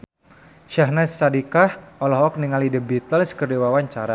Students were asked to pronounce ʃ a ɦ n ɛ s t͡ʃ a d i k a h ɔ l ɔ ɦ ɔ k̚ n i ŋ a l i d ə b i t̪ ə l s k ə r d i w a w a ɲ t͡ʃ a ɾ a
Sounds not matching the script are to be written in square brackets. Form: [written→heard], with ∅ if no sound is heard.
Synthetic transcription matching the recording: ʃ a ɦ n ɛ s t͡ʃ a d i k a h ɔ l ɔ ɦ ɔ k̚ n i ŋ a l i d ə b i t̪ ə l s k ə r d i w a w a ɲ t͡ʃ a ɾ a